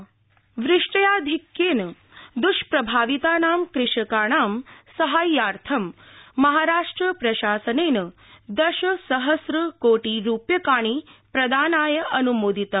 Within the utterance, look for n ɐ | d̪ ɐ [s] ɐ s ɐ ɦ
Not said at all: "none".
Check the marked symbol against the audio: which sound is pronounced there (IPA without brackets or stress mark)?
ʃ